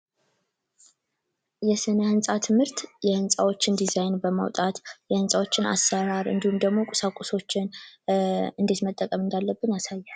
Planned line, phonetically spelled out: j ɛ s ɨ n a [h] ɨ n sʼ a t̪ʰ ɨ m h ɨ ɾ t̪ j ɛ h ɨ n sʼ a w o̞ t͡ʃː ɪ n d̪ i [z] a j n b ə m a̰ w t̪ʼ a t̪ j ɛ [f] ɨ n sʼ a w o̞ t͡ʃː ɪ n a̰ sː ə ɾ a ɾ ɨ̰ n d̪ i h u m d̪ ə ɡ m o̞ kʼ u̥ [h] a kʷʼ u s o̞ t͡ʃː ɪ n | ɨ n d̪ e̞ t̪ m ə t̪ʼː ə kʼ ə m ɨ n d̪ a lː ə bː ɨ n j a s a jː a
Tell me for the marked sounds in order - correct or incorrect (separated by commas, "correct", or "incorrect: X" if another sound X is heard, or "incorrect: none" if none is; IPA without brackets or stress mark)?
correct, correct, incorrect: h, incorrect: s